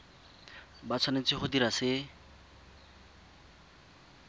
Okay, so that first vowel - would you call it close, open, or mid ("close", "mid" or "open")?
open